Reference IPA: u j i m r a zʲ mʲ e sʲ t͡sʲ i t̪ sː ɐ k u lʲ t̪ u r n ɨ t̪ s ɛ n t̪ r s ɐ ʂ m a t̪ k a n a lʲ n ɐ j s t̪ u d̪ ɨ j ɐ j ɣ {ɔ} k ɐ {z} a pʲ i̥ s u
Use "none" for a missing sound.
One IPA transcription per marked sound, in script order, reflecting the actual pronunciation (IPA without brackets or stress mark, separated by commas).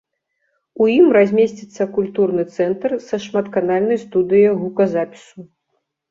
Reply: u, z